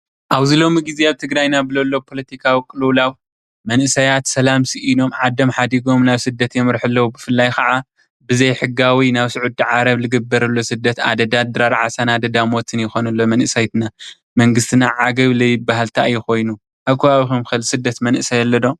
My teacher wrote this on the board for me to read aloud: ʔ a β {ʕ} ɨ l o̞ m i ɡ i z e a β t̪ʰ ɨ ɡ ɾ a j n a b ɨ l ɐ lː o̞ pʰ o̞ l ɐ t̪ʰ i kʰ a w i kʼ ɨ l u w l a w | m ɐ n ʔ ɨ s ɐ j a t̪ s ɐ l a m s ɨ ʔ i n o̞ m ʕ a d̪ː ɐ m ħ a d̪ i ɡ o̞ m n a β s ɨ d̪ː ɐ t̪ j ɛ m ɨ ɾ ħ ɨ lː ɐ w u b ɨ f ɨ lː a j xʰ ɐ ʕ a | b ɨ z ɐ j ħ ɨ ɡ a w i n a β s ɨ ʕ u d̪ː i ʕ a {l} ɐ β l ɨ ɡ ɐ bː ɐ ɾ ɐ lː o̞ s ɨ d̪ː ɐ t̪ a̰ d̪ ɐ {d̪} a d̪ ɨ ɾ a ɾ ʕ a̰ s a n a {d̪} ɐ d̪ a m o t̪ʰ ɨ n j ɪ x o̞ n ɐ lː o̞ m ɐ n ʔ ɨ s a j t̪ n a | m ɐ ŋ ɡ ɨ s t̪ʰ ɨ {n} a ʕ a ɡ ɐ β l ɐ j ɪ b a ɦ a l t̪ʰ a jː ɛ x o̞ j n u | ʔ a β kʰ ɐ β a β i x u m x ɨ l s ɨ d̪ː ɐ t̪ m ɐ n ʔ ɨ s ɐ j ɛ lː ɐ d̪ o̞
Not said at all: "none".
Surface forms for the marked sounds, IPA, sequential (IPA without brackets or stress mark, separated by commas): z, ɾ, d̪, d̪, n